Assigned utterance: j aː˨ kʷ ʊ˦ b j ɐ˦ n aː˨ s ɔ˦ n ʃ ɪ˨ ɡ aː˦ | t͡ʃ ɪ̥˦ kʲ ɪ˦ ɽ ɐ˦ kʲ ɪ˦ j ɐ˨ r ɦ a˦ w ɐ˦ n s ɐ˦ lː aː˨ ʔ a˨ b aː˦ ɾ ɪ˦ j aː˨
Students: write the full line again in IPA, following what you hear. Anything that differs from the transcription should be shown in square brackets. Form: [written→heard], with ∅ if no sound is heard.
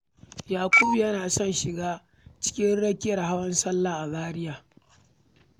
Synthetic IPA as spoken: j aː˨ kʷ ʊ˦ b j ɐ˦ n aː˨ s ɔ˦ n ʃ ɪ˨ ɡ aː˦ | t͡ʃ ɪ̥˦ kʲ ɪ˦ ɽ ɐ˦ kʲ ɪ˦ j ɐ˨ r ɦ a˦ w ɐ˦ n s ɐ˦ lː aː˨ ʔ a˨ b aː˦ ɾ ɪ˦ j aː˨

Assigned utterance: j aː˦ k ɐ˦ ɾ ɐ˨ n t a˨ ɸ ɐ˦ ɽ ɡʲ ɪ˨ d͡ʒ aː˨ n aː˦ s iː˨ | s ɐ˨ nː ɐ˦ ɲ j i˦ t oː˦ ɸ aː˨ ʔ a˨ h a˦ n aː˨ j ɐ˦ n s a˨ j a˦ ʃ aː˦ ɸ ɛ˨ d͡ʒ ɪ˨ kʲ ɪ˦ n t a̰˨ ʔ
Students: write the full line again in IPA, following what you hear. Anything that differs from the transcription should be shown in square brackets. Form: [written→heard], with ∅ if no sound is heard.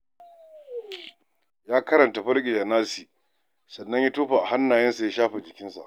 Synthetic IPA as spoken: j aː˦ k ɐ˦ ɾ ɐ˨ n t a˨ ɸ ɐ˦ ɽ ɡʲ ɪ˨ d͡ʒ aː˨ n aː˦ s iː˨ | s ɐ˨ nː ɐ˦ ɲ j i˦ t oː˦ ɸ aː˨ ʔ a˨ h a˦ [n→nː] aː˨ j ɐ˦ n s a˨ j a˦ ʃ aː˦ ɸ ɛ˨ d͡ʒ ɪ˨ kʲ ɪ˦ n [t→s] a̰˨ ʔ

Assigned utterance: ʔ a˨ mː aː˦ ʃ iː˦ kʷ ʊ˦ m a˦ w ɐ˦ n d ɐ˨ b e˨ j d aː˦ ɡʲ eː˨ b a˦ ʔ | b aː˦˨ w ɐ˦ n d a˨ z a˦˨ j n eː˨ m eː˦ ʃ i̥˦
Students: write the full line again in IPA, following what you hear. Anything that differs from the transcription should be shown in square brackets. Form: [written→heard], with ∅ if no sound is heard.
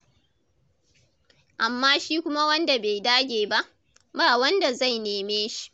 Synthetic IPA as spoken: ʔ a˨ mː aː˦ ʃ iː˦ kʷ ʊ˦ m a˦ w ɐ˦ n d [ɐ˨→a˨] b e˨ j d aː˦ ɡʲ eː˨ b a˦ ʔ | b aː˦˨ w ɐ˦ n d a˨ z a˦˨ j n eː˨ m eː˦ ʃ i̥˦

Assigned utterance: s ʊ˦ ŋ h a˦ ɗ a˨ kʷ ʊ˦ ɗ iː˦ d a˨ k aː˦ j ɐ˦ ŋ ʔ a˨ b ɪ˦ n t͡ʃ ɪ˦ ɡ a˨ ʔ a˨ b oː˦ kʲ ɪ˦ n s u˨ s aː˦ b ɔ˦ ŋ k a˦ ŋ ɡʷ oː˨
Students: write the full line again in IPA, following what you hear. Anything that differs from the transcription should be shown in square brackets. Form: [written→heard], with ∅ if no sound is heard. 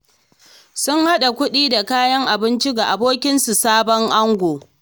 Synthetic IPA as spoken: s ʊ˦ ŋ h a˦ ɗ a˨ kʷ ʊ˦ ɗ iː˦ d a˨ k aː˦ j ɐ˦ ŋ ʔ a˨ b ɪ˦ n t͡ʃ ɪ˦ ɡ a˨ ʔ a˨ b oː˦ kʲ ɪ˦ n s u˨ s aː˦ b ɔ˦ ŋ [k→ʔ] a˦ ŋ ɡʷ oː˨

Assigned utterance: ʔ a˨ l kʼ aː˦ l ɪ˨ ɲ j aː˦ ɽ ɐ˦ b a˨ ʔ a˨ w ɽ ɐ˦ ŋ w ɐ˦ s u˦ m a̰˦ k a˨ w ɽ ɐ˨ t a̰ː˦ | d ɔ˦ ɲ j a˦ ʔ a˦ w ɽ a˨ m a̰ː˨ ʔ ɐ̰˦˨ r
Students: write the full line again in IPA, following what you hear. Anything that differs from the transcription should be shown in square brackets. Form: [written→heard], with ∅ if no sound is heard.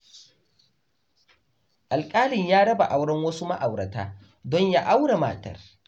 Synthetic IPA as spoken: ʔ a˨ l kʼ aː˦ l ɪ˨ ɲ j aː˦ ɽ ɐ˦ b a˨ ʔ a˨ w ɽ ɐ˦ ŋ w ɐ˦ s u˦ m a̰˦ [k→ʔ] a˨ w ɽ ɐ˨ t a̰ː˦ | d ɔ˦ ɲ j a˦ ʔ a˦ w ɽ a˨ m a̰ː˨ [ʔ→t] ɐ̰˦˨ r

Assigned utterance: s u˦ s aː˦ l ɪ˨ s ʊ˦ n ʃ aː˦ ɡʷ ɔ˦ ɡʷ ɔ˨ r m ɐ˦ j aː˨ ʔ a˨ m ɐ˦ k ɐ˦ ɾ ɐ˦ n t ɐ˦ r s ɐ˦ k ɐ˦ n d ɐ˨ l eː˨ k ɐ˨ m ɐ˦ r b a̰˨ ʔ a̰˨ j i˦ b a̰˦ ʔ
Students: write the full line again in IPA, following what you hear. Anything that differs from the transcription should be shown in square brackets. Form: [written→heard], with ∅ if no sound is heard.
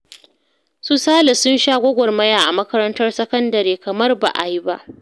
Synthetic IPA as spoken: s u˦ s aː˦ l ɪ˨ s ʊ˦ n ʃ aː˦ ɡʷ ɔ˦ ɡʷ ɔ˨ r m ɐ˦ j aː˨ ʔ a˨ m ɐ˦ k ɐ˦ ɾ ɐ˦ n t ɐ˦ r s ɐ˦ k ɐ˦ n d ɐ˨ [l→ɾ] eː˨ k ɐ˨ m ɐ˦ r b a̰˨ ʔ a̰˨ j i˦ b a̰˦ ʔ

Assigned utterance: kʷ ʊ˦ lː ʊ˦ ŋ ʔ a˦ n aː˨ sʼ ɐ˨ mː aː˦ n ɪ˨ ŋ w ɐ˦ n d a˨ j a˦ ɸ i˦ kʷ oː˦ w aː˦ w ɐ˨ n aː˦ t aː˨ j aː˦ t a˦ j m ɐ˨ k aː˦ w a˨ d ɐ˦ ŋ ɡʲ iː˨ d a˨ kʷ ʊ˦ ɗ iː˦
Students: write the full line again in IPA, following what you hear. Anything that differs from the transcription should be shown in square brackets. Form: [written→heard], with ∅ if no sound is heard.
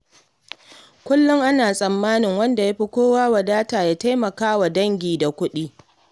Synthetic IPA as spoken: kʷ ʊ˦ lː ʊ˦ ŋ ʔ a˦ n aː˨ sʼ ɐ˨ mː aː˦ n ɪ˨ ŋ w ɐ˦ n d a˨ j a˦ ɸ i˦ kʷ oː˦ w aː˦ w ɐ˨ [n→d] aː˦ t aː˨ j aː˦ t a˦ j m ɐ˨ k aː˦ w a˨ d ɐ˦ ŋ ɡʲ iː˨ d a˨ kʷ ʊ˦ ɗ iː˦

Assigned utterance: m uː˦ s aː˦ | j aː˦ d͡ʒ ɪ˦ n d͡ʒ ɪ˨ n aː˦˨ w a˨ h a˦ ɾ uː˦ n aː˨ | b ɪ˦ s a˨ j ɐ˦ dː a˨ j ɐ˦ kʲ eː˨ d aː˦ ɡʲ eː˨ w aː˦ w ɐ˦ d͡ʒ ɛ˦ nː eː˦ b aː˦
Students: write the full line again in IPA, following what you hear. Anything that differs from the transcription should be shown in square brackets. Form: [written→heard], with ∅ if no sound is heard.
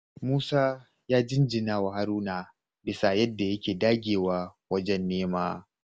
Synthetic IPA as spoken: m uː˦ s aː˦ | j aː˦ d͡ʒ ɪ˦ n d͡ʒ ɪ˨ n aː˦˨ w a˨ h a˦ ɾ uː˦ n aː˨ | b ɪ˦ s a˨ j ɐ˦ dː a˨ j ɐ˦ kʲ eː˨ d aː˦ ɡʲ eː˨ w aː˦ w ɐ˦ d͡ʒ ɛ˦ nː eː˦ [b→m] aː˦

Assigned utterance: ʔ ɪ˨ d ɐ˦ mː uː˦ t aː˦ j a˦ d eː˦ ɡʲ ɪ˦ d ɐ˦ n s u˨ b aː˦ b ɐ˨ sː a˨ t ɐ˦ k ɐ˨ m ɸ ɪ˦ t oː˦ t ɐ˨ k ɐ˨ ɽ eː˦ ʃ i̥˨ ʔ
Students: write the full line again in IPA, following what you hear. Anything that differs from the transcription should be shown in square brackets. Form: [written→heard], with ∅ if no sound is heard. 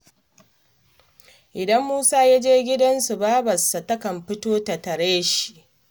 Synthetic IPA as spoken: ʔ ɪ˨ d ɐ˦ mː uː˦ [t→s] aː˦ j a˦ [d→d͡ʒ] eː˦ ɡʲ ɪ˦ d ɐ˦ n s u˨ b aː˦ b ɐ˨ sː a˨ t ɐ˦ k ɐ˨ m ɸ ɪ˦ t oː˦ t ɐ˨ [k→t] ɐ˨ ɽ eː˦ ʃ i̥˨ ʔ

